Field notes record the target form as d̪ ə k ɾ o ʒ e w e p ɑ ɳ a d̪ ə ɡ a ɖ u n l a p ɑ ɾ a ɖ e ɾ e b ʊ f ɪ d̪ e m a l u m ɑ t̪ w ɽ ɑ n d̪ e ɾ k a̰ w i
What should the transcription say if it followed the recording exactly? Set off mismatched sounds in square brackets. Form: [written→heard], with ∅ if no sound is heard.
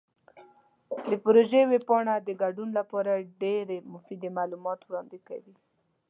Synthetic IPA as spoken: d̪ ə [k→p] ɾ o ʒ e w e p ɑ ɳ a d̪ ə ɡ a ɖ u n l a p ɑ ɾ a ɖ e ɾ e [b→m] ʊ f [ɪ→i] d̪ e m a l u m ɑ t̪ w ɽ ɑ n d̪ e [ɾ→∅] k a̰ w i